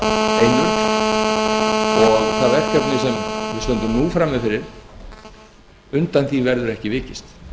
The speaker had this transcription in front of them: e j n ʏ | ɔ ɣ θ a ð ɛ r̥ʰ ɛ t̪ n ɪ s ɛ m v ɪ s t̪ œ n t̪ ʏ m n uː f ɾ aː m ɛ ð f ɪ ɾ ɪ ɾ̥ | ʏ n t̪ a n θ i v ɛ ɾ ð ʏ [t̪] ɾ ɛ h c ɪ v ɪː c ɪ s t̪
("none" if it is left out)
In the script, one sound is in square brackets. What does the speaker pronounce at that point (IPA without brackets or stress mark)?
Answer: none